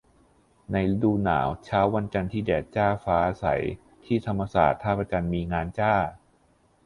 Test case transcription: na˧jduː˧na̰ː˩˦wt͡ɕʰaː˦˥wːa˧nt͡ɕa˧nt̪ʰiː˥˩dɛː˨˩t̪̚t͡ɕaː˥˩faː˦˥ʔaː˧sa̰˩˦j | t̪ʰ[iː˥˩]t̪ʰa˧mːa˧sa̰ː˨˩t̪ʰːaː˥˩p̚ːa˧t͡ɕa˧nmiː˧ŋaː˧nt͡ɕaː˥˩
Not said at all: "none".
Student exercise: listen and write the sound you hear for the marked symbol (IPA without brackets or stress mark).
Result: iː˥˩